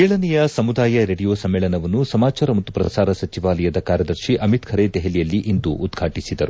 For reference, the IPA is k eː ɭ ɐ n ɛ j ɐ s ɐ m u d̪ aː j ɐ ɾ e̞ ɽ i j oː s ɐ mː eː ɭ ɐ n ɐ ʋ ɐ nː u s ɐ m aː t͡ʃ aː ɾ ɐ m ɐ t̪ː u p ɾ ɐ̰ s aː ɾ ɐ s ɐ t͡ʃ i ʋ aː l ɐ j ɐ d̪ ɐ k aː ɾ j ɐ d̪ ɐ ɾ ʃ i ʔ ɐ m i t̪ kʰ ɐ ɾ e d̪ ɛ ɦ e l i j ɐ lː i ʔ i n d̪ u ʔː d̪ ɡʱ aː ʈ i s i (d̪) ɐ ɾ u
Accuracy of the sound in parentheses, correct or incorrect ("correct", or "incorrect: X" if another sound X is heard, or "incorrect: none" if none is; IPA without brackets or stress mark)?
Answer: correct